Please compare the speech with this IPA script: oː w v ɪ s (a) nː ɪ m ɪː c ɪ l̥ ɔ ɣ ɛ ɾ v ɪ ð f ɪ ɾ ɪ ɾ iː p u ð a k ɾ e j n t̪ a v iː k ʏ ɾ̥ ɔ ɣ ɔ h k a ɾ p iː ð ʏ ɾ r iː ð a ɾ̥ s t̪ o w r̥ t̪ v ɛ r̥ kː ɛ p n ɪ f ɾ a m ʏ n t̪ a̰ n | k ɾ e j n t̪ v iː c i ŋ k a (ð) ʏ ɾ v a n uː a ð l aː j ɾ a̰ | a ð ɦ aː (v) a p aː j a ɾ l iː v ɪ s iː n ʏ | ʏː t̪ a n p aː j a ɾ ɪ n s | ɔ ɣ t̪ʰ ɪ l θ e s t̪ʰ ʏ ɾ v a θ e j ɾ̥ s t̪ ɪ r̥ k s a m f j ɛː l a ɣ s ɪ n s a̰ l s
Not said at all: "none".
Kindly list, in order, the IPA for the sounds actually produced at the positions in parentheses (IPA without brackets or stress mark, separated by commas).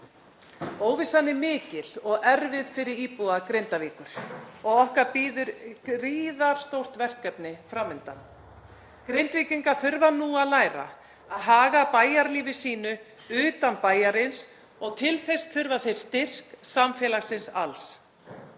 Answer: a, θ, ɣ